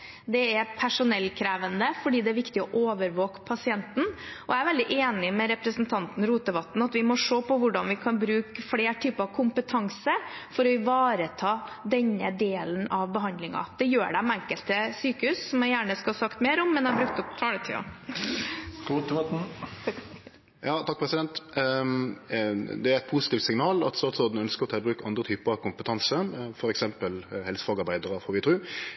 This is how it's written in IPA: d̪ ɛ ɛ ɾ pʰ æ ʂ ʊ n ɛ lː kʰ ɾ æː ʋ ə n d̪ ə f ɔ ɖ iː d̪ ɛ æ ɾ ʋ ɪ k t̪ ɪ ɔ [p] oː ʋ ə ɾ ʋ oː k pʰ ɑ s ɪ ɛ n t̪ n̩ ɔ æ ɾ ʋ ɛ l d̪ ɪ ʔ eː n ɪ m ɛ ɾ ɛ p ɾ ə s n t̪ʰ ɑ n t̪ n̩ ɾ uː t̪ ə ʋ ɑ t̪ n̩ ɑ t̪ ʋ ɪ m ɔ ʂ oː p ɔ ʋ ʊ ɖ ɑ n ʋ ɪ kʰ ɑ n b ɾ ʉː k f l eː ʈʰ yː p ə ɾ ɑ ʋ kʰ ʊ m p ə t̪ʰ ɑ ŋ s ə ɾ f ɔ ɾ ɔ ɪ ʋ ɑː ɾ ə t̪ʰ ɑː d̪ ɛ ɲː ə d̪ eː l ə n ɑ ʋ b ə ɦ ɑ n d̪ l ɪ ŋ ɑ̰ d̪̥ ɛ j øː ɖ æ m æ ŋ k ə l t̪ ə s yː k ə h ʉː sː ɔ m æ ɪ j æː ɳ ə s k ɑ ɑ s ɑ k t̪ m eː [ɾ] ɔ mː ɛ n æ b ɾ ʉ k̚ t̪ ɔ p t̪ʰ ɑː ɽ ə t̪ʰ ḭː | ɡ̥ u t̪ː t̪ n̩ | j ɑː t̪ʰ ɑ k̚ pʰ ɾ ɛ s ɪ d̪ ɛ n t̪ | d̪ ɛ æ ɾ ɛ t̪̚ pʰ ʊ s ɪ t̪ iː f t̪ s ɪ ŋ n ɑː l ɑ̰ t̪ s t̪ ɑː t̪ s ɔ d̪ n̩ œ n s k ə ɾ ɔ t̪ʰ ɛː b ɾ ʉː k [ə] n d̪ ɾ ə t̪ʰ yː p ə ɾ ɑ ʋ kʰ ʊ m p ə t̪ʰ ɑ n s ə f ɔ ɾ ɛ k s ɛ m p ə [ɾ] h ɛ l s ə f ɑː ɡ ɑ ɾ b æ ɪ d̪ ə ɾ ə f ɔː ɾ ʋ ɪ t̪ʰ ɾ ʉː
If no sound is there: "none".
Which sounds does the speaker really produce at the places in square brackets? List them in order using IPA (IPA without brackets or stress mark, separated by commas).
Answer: ʔ, ɾ, ɑ, l